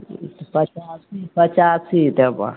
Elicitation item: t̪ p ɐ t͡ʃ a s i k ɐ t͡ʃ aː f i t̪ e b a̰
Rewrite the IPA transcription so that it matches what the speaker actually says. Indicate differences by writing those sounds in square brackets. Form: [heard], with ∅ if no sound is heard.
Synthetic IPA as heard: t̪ p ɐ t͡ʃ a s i [p] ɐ t͡ʃ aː [s] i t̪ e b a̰